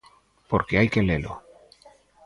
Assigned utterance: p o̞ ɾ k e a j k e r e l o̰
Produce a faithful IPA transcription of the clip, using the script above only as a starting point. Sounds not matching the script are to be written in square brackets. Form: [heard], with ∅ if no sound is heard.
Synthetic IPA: p o̞ ɾ k e a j k e [l] e l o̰